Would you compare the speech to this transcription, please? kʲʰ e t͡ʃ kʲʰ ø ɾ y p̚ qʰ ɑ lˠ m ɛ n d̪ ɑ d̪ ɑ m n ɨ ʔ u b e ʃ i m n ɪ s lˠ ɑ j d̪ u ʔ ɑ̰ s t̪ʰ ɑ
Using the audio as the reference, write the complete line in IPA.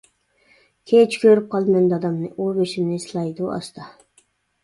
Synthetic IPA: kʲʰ e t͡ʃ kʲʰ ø ɾ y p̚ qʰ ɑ lˠ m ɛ n d̪ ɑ d̪ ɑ m n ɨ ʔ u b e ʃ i m n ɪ s lˠ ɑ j d̪ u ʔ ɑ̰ s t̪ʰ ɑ

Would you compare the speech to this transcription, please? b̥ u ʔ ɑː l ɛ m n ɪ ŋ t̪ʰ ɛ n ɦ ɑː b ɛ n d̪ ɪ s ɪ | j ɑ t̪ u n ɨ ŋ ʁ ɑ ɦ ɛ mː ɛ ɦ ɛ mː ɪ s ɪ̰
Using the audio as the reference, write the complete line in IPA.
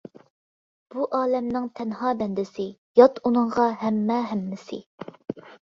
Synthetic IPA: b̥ u ʔ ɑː l ɛ m n ɪ ŋ t̪ʰ ɛ n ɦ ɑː b ɛ n d̪ ɪ s ɪ | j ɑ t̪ u n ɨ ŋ ʁ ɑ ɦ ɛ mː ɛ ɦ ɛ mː ɪ s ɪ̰

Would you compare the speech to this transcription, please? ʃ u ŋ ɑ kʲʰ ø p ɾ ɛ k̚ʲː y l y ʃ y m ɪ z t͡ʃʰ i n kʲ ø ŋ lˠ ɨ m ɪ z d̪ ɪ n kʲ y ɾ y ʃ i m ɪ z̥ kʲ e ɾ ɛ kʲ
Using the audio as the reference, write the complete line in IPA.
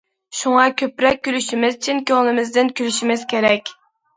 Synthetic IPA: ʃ u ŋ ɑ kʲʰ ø p ɾ ɛ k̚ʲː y l y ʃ i m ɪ z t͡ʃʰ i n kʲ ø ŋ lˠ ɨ m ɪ z d̪ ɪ n kʲ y l y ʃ i m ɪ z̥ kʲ e ɾ ɛ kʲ

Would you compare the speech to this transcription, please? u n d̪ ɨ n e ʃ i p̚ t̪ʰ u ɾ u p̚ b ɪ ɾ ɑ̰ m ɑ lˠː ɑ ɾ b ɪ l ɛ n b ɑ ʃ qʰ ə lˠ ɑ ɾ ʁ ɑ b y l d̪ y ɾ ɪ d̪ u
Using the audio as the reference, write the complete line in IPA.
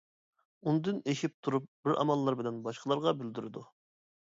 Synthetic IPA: u n d̪ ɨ n e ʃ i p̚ t̪ʰ u ɾ u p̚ b ɪ ɾ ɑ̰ m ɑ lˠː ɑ ɾ b ɪ l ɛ n b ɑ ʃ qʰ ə lˠ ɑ ɾ ʁ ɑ b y l d̪ y ɾ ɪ d̪ u

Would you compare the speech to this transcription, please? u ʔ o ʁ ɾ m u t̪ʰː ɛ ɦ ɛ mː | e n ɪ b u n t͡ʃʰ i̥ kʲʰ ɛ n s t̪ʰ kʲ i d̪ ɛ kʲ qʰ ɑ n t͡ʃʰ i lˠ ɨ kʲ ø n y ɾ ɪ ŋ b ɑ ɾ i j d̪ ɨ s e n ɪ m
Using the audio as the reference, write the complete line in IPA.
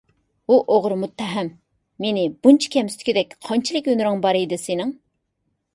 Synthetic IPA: u ʔ o ʁ ɾ m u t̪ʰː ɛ ɦ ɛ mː | e n ɪ b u n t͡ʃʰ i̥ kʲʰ ɛ m s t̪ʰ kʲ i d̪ ɛ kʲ qʰ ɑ n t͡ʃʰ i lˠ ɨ kʲ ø n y ɾ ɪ ŋ b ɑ ɾ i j d̪ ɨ s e n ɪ ŋ

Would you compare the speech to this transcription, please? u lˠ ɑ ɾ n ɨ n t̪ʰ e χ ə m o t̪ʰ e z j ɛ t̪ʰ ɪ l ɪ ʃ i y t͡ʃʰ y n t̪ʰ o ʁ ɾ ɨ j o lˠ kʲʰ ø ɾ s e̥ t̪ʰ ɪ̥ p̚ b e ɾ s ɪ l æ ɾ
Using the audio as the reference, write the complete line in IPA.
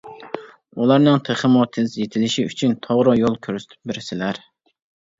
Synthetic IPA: u lˠ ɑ ɾ n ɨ ŋ t̪ʰ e χ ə m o t̪ʰ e z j e t̪ʰ ɪ l ɪ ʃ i y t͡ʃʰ y n t̪ʰ o ʁ ɾ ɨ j o lˠ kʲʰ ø ɾ s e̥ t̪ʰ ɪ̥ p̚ b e ɾ s ɪ l æ ɾ

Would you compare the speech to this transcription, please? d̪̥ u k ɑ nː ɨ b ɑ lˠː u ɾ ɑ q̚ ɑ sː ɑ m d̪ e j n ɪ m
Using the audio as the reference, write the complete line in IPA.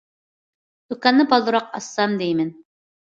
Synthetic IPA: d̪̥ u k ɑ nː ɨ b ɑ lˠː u ɾ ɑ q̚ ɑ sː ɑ m d̪ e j m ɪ n

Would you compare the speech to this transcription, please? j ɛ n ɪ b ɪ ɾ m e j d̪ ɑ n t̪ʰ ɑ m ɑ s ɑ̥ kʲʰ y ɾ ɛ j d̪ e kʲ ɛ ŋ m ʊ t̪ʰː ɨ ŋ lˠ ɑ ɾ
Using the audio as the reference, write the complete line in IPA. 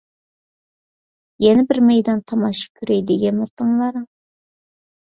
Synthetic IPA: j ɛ n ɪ b ɪ ɾ m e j d̪ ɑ n t̪ʰ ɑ m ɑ ʃ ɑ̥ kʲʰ y ɾ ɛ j d̪ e ɡʲ ɛ n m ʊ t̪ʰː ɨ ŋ lˠ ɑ ɾ

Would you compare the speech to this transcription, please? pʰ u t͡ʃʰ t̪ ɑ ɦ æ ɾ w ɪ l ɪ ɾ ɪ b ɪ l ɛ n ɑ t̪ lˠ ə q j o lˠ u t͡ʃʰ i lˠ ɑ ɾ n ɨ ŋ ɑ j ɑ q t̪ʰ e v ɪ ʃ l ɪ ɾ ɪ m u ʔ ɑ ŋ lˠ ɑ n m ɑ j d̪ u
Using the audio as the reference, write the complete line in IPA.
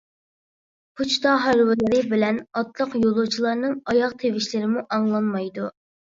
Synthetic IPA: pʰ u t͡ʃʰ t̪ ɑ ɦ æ ɾ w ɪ l ɪ ɾ ɪ b ɪ l ɛ n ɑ t̪ lˠ ə q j o lˠ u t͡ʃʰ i lˠ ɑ ɾ n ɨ ŋ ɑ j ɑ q t̪ʰ e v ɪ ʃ l ɪ ɾ ɪ m u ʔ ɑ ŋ lˠ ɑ n m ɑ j d̪ u

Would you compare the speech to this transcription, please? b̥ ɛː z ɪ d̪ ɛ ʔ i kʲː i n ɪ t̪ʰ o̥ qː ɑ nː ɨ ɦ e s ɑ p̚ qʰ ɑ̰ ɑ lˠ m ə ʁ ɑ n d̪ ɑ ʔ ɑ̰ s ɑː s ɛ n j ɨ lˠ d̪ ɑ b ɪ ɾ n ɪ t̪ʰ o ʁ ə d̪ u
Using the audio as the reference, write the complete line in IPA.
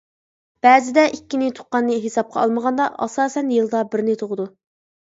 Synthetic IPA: b̥ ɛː z ɪ d̪ ɛ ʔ i kʲː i n ɪ t̪ʰ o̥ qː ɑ nː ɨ ɦ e s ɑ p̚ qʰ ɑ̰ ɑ lˠ m ə ʁ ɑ n d̪ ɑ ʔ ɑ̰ s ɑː s ɛ n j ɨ lˠ d̪ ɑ b ɪ ɾ n ɪ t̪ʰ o ʁ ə d̪ u

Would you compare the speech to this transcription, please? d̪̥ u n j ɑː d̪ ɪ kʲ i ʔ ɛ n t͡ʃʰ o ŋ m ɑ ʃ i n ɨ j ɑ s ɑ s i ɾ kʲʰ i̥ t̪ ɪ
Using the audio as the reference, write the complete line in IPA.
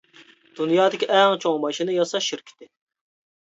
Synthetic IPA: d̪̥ u n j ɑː d̪ ɪ kʲ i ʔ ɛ ŋ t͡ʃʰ o ŋ m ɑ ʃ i n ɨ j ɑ s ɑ ʃ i ɾ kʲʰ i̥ t̪ ɪ

